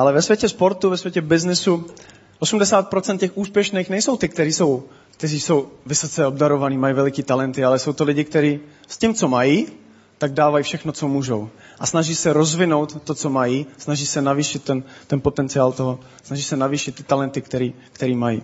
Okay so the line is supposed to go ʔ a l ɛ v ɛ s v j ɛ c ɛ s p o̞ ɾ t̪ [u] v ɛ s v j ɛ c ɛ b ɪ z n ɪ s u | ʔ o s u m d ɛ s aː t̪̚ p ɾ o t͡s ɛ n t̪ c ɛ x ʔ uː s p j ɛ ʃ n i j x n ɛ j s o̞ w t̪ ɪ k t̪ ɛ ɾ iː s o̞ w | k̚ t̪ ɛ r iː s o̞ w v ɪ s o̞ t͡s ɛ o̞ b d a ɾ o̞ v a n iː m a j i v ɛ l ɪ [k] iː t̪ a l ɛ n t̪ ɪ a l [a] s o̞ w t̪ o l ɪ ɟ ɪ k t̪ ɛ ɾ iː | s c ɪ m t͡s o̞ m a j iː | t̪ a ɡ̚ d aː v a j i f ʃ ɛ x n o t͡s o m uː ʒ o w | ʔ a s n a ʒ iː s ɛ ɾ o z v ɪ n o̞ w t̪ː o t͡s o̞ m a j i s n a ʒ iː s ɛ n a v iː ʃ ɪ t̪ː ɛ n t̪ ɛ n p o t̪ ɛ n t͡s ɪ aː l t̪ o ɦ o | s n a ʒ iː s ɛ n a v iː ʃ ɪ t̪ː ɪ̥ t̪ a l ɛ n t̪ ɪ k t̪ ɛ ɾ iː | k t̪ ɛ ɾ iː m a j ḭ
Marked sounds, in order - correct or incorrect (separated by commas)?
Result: correct, correct, incorrect